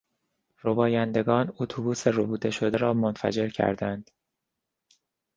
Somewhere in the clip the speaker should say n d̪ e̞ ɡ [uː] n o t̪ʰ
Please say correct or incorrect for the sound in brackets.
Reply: incorrect